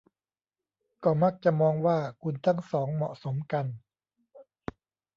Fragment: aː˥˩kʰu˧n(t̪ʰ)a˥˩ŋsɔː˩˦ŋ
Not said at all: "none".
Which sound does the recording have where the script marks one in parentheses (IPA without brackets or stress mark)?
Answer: t̪ʰ